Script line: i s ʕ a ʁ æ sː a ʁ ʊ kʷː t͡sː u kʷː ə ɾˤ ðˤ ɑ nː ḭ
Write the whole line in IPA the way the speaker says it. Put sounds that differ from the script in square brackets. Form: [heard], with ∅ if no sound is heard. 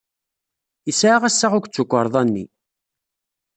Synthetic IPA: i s ʕ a ʁ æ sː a ʁ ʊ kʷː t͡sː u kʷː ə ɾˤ ðˤ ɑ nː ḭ